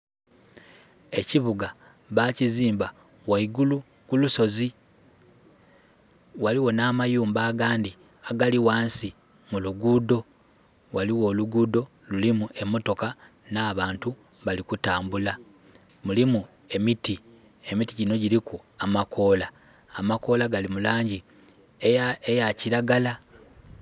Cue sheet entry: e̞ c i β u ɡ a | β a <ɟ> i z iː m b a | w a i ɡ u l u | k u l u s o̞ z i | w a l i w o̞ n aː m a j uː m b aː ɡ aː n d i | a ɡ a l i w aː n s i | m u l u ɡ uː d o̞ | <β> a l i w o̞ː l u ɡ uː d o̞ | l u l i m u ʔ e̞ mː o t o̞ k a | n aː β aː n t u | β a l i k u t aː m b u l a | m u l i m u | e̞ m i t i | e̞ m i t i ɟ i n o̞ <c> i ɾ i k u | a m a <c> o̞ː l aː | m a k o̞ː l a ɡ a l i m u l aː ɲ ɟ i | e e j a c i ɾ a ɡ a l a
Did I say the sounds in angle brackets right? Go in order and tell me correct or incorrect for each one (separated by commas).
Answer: incorrect, incorrect, incorrect, incorrect